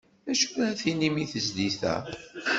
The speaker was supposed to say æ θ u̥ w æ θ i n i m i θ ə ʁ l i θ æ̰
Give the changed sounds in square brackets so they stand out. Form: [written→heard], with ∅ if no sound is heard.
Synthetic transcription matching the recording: æ [θ→ʃ] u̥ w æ θ i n i m i θ ə [ʁ→z] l i θ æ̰